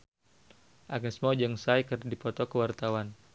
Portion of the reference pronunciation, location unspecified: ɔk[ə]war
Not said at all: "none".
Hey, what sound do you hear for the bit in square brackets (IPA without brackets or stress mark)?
ə